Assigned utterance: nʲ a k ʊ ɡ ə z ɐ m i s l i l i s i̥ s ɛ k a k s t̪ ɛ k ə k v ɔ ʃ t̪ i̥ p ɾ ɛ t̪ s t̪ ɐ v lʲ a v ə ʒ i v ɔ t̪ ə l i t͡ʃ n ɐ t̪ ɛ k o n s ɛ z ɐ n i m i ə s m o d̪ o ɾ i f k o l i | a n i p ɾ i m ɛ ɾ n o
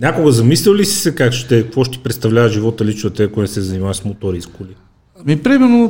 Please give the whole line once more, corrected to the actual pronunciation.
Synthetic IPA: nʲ a k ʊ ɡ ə z ɐ m i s l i l i s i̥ s ɛ k a k ʃ t̪ ɛ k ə k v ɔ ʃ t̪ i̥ p ɾ ɛ t̪ s t̪ ɐ v lʲ a v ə ʒ i v ɔ t̪ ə l i t͡ʃ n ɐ t̪ ɛ k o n s ɛ z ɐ n i m a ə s m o t̪ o ɾ i s k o l i | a m i p ɾ i m ɛ ɾ n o